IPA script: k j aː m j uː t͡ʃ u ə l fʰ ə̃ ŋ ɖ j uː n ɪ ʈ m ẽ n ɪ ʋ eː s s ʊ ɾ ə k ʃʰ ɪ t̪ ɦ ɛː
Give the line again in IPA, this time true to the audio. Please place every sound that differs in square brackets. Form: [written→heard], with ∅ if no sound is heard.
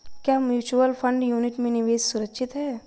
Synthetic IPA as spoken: k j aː m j uː t͡ʃ u ə l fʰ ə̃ [ŋ→ɳ] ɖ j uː n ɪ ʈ m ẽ n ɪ ʋ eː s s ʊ ɾ ə k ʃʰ ɪ t̪ ɦ ɛː